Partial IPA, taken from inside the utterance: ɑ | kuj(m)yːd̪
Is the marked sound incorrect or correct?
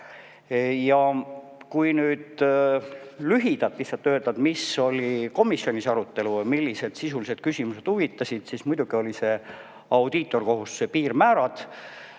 incorrect: n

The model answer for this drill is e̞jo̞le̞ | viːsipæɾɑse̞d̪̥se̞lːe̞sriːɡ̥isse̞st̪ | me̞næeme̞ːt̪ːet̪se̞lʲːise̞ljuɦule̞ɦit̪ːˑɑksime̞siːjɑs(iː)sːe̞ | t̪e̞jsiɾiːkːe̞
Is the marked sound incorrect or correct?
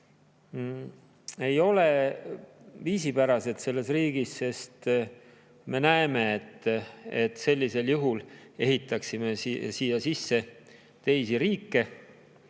incorrect: i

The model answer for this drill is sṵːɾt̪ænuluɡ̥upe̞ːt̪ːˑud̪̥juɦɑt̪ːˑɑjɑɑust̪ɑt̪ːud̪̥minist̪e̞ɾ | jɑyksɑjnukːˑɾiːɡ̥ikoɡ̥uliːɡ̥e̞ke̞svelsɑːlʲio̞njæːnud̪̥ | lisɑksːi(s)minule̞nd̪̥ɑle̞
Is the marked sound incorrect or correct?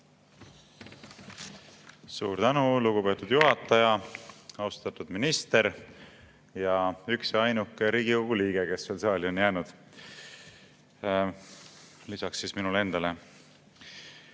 correct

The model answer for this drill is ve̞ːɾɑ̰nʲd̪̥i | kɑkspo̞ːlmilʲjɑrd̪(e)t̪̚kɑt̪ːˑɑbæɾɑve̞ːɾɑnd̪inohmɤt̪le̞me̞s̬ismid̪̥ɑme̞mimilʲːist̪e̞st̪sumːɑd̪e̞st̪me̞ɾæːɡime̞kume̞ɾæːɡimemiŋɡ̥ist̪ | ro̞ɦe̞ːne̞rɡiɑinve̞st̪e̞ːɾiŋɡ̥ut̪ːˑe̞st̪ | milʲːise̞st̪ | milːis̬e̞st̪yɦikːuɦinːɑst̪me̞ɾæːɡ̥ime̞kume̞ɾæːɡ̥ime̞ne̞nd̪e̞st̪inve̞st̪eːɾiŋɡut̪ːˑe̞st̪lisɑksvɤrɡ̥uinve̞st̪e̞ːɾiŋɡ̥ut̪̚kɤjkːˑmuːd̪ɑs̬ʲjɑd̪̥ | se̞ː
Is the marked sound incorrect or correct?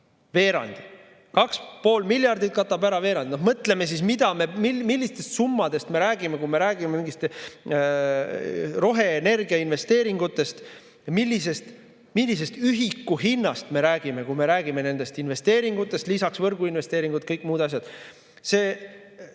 incorrect: i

